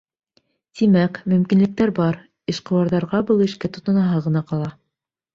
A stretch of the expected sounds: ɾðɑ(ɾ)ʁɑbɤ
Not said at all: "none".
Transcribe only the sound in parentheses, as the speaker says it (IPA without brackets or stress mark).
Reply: ɾ